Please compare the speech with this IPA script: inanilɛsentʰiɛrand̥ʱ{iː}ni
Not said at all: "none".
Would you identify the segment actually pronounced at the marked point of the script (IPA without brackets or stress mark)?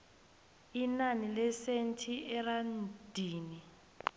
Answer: iː